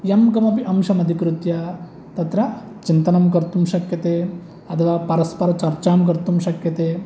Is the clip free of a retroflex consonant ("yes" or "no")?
yes